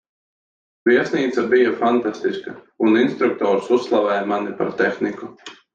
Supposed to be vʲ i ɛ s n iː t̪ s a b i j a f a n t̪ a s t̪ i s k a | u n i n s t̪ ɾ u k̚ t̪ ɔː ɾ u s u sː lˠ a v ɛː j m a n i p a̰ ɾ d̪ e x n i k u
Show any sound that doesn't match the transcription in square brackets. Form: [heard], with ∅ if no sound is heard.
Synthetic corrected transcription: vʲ i ɛ s n iː t̪ s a b i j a f a n t̪ a s t̪ i s k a | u n i n s t̪ ɾ u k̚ t̪ ɔː ɾ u s u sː lˠ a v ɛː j m a n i p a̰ ɾ [t̪] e x n i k u